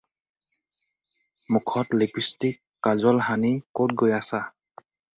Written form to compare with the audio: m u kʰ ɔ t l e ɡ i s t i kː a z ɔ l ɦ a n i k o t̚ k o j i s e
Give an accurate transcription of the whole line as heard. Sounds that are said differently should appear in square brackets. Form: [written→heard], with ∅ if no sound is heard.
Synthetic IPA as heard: m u kʰ ɔ t l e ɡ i s t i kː a z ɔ l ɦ a n i k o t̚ [k→ɡ] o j [i→a] s [e→a]